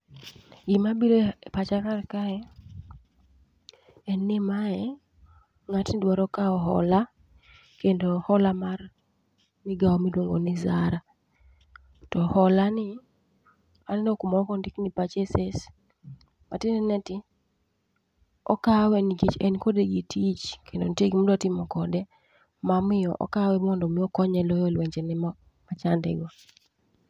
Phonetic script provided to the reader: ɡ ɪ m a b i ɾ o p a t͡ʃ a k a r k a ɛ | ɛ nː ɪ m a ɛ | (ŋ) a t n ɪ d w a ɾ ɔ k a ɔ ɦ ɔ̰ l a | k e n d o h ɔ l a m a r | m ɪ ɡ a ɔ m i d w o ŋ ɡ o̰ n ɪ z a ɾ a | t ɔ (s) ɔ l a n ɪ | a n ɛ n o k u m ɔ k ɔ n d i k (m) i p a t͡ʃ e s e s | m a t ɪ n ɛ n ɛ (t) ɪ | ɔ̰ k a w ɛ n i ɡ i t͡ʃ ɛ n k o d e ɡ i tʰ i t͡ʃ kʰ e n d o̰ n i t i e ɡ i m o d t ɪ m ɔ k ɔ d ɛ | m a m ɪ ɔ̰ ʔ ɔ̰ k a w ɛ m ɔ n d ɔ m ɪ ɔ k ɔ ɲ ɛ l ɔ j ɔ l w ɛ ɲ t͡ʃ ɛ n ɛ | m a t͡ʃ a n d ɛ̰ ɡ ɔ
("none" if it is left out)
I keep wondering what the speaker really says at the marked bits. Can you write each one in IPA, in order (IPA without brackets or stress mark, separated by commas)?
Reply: ŋ, h, n, t